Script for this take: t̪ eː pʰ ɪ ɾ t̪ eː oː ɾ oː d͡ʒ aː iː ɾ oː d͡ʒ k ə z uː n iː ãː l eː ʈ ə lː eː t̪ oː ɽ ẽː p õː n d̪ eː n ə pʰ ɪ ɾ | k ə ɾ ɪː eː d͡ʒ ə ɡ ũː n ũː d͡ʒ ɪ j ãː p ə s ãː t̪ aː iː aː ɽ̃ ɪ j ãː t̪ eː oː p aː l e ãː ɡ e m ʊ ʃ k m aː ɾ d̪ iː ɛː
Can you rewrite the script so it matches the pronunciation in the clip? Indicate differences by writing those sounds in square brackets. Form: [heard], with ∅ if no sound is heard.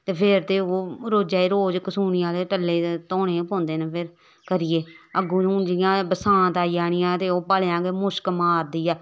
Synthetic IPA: t̪ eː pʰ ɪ ɾ t̪ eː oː ɾ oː d͡ʒ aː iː ɾ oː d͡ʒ k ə [s] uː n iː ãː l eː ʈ ə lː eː t̪ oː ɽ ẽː p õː n d̪ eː n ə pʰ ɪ ɾ | k ə ɾ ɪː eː [∅] ə ɡ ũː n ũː d͡ʒ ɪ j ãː [b] ə s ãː t̪ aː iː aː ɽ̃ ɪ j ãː t̪ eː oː p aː l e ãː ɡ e m ʊ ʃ k m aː ɾ d̪ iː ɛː